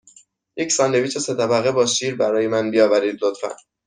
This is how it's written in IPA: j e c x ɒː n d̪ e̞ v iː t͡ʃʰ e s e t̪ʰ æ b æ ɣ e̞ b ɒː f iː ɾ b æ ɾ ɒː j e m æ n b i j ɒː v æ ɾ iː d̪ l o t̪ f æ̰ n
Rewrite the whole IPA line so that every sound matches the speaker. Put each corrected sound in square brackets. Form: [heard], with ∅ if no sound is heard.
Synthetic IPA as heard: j e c [s] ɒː n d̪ e̞ v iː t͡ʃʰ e s e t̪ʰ æ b æ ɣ e̞ b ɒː [ʃ] iː ɾ b æ ɾ ɒː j e m æ n b i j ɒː v æ ɾ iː d̪ l o t̪ f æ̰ n